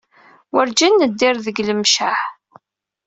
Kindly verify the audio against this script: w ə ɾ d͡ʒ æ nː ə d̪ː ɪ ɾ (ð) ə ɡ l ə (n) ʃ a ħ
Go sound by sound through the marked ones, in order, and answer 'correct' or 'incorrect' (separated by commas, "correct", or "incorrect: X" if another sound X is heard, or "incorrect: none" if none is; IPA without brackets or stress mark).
correct, incorrect: m